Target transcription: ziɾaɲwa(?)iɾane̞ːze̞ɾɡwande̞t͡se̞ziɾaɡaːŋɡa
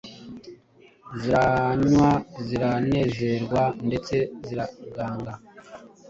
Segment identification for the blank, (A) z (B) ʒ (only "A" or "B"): A